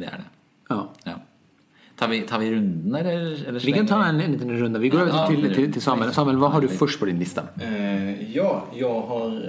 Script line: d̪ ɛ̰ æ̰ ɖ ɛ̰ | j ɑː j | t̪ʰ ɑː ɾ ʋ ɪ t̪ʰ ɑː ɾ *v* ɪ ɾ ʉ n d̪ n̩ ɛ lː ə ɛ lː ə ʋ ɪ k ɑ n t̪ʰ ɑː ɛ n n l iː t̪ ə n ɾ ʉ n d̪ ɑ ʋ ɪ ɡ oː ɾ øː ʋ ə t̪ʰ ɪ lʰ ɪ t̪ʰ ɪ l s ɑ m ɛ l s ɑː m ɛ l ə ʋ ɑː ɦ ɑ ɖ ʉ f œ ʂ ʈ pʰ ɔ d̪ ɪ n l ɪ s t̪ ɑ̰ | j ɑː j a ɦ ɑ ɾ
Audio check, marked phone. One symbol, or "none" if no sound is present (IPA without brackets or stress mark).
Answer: ʋ